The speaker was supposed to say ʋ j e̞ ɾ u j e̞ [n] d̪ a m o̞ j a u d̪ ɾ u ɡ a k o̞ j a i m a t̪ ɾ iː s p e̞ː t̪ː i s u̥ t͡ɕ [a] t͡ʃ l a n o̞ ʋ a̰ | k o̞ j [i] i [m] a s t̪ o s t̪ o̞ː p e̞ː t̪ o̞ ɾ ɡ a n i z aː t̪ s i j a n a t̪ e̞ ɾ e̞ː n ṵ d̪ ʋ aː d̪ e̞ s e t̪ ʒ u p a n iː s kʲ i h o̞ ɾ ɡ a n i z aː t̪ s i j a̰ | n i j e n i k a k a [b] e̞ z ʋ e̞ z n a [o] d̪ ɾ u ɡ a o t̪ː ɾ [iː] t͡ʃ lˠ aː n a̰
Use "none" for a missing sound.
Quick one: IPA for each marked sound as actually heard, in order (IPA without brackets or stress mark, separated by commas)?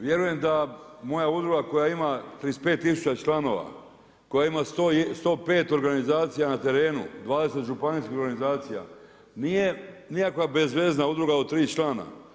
m, a, a, m, b, u, iː